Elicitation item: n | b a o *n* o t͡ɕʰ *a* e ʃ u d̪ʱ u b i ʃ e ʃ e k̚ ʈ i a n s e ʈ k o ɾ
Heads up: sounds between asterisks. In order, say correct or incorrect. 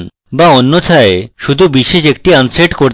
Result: incorrect, correct

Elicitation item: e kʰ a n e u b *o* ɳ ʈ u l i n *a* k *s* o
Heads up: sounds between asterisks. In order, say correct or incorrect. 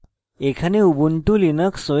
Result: incorrect, incorrect, correct

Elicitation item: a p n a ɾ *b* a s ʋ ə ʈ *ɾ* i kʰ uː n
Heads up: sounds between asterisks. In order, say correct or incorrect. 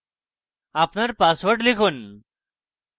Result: incorrect, incorrect

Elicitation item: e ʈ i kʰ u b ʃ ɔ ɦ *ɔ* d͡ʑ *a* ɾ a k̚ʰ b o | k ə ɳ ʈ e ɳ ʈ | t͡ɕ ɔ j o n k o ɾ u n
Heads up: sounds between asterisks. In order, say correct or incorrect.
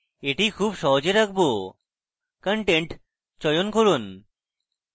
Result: incorrect, incorrect

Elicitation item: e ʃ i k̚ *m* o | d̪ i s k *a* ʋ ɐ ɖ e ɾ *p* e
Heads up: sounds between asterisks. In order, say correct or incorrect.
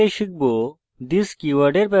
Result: incorrect, incorrect, correct

